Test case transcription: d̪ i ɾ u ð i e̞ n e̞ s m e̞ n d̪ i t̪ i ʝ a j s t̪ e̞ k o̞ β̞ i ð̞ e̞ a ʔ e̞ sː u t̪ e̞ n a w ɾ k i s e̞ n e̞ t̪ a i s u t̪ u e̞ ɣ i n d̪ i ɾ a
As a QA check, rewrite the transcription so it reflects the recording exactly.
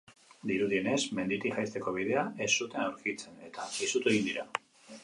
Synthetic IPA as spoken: d̪ i ɾ u ð i e̞ n e̞ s m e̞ n d̪ i t̪ i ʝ a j s t̪ e̞ k o̞ β̞ i ð̞ e̞ a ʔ e̞ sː u t̪ e̞ n a w ɾ k i t͡s e̞ n e̞ t̪ a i s u t̪ u e̞ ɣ i n d̪ i ɾ a